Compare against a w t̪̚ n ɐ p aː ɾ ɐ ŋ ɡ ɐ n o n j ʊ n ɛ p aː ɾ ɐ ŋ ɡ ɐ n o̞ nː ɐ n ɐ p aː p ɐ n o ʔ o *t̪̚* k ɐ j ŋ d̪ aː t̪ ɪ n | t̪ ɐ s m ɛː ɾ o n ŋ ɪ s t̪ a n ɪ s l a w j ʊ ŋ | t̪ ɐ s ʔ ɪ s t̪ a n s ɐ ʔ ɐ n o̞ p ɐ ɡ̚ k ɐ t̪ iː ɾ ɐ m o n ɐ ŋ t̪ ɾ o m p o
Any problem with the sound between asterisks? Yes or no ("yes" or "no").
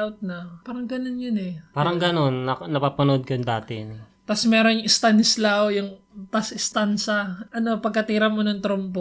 yes